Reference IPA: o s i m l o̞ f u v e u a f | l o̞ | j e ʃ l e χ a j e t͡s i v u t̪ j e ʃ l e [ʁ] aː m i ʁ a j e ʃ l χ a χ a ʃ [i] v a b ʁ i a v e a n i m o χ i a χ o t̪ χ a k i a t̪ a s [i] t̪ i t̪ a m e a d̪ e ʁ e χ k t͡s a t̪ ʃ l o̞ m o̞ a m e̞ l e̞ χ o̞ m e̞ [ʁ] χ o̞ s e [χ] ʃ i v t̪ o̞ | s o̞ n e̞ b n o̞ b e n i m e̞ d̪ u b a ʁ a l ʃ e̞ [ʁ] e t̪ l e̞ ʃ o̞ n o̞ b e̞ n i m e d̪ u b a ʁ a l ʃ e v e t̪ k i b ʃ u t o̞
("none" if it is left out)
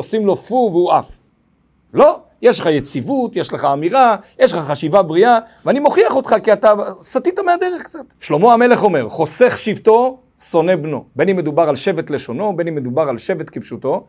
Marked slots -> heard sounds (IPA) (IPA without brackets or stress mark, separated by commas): χ, i, a, ʁ, χ, v